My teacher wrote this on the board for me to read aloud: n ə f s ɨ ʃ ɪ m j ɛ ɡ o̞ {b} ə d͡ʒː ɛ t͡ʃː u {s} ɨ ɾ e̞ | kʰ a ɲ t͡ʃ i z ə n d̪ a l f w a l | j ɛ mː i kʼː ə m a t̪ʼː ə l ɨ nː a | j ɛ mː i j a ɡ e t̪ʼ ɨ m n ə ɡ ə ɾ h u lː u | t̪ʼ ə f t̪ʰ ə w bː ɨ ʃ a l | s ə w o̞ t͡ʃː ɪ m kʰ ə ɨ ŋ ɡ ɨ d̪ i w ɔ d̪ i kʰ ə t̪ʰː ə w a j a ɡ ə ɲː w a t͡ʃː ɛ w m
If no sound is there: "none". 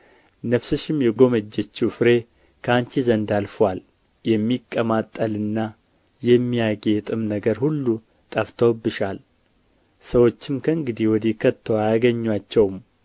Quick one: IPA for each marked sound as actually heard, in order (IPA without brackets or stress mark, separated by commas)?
m, f